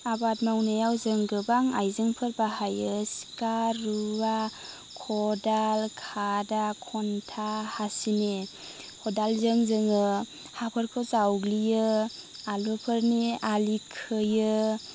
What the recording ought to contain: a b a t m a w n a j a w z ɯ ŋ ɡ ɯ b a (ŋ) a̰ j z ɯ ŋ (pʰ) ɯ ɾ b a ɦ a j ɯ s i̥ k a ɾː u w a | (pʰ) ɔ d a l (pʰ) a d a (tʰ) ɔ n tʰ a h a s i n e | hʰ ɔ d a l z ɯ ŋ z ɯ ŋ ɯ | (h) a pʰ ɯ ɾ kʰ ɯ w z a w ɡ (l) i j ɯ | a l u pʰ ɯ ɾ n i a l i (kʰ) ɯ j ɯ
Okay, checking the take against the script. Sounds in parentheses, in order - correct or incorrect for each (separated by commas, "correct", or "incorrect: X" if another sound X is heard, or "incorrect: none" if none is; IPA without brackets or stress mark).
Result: correct, correct, incorrect: kʰ, incorrect: kʰ, incorrect: kʰ, correct, correct, correct